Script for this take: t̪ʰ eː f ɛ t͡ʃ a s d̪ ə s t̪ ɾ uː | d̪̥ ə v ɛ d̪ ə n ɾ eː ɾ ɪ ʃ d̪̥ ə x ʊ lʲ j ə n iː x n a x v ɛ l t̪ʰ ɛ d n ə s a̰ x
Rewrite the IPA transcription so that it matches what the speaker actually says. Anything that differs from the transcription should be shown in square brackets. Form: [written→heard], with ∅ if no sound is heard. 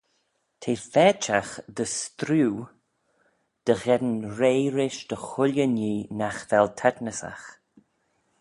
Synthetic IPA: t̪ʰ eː f ɛ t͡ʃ a [s→x] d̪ ə s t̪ ɾ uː | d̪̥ ə [v→ɣ] ɛ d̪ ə n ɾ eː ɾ ɪ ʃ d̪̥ ə x ʊ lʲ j ə n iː [x→∅] n a x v ɛ l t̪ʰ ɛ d n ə s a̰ x